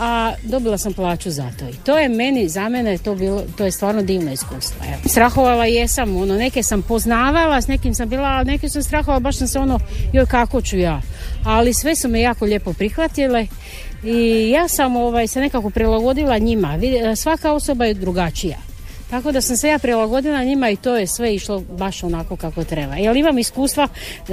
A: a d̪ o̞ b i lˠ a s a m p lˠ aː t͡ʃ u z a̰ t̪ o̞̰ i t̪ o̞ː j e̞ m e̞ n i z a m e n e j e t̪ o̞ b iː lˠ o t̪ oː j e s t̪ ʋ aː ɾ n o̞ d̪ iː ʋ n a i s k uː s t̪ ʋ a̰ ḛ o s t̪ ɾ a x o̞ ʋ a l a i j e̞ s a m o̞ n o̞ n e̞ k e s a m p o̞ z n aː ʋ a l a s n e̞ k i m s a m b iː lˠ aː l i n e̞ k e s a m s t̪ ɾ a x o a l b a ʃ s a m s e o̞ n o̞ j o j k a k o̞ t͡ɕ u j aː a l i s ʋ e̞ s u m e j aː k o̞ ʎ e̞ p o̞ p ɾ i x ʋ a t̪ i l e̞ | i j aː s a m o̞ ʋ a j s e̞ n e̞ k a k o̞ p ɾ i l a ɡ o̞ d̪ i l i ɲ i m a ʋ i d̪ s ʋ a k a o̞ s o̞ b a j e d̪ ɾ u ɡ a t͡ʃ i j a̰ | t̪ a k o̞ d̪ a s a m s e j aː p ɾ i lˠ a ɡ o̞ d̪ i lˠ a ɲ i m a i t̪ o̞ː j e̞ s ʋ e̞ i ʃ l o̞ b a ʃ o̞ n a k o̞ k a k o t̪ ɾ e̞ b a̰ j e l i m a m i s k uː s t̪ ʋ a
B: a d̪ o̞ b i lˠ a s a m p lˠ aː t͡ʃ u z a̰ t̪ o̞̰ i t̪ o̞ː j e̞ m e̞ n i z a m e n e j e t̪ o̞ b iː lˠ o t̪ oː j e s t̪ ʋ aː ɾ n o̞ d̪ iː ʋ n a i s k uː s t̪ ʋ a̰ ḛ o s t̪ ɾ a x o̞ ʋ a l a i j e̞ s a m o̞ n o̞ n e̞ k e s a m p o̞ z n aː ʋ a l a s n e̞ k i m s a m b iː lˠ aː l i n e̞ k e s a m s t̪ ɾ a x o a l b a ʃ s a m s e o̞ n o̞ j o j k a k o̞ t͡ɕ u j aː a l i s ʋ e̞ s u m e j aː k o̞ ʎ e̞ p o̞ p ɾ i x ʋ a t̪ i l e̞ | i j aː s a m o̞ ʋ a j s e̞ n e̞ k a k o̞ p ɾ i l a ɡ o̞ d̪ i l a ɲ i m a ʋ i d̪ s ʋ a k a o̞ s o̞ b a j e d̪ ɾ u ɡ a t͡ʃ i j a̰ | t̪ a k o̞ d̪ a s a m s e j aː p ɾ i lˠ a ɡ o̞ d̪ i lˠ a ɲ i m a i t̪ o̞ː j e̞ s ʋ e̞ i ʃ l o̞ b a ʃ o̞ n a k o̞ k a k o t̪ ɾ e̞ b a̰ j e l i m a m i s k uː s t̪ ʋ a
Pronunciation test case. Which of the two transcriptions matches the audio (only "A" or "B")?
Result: B